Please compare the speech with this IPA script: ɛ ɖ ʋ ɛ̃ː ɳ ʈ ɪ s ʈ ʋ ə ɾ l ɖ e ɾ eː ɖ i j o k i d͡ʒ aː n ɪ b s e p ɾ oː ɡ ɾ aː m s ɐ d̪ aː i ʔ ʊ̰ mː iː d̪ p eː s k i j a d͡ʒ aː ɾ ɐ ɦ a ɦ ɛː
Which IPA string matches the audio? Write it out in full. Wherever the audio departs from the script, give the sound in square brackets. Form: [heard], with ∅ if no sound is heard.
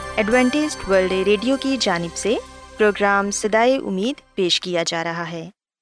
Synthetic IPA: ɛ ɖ ʋ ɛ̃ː ɳ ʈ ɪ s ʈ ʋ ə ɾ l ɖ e ɾ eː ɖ i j o k i d͡ʒ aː n ɪ b s e p ɾ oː ɡ ɾ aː m s ɐ d̪ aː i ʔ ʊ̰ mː iː d̪ p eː [ʃ] k i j a d͡ʒ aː ɾ ɐ ɦ a ɦ ɛː